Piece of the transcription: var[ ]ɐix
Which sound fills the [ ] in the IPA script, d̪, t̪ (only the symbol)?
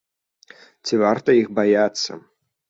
t̪